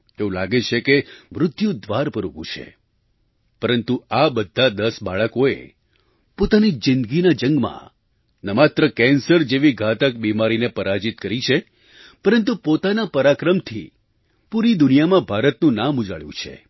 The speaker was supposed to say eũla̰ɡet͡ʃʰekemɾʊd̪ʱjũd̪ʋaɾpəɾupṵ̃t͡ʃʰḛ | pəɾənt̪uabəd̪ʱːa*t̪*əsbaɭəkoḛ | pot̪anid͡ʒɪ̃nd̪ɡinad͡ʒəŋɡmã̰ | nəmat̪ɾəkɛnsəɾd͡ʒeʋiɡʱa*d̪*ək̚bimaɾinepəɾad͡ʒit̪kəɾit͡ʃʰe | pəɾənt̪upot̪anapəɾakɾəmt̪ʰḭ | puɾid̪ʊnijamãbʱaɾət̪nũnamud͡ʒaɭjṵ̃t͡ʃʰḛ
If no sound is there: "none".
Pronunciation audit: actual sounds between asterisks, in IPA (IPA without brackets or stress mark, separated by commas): d̪, t̪